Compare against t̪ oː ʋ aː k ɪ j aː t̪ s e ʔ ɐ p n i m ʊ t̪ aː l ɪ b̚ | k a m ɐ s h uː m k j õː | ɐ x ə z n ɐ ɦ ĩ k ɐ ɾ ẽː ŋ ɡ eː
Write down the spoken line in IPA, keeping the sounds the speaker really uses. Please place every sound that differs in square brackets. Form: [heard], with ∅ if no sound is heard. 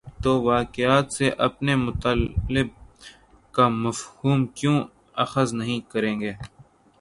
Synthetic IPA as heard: t̪ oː ʋ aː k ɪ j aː t̪ s e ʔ ɐ p n [e] m ʊ t̪ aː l ɪ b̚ | k a m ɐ [f] h uː m k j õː | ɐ x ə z n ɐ ɦ ĩ k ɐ ɾ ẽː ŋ ɡ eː